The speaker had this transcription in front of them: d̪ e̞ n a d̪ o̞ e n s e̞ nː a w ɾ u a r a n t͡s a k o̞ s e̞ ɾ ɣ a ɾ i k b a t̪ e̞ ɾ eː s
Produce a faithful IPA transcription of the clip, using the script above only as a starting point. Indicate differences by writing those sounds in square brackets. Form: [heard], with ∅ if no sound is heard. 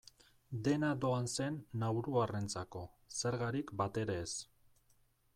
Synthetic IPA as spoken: d̪ e̞ n a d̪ o̞ [a] n s e̞ nː a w ɾ u a r [e] n t͡s a k o̞ s e̞ ɾ ɣ a ɾ i k b a t̪ e̞ ɾ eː s